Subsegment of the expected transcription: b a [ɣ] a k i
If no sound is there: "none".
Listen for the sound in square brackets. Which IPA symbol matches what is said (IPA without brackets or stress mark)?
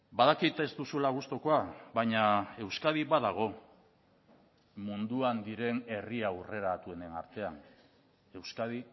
ð